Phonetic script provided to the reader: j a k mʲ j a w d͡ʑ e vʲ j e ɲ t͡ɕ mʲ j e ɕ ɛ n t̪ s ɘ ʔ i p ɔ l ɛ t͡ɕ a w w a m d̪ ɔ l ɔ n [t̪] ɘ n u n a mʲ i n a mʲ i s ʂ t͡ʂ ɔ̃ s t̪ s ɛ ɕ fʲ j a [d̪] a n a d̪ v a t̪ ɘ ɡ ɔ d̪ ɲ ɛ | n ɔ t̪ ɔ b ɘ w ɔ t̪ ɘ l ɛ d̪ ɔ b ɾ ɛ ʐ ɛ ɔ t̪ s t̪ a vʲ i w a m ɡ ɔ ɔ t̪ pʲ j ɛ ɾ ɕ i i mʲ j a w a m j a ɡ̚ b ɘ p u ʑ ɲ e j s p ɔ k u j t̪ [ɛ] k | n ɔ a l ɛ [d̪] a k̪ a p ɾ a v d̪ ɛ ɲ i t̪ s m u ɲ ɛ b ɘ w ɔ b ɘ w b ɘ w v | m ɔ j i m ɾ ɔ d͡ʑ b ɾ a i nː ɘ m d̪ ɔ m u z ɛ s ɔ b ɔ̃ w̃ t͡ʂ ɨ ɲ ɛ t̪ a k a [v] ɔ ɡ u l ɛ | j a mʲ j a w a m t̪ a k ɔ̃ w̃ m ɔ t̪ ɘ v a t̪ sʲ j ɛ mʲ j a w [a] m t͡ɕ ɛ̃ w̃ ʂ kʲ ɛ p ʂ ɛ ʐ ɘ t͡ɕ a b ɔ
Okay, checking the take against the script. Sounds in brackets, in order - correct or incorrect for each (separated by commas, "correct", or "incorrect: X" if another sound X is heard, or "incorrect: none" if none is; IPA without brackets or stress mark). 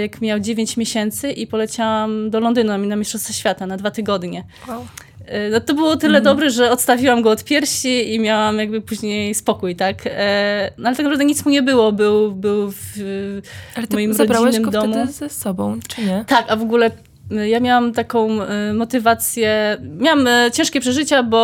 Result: incorrect: d̪, incorrect: t̪, incorrect: a, incorrect: t̪, correct, correct